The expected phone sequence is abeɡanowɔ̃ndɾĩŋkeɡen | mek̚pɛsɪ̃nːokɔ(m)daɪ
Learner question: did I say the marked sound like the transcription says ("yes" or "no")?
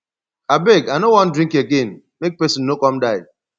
yes